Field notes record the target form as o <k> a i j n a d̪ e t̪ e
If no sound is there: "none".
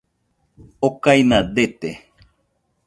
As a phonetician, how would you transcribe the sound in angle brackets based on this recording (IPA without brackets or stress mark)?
k